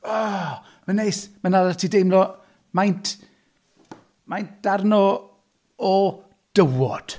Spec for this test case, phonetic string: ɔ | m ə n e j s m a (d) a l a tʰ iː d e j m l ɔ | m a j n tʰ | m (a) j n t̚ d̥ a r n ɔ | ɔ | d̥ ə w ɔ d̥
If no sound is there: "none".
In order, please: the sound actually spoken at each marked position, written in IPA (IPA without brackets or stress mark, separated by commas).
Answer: n, a